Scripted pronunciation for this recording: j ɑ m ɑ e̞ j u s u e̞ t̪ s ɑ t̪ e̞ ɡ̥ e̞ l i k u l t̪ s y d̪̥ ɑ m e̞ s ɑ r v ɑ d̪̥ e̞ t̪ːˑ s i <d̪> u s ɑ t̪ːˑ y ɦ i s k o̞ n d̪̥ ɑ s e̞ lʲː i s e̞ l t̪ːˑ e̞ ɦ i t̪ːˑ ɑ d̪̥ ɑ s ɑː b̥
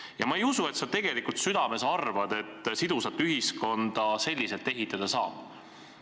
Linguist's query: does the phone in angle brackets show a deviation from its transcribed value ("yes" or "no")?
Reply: no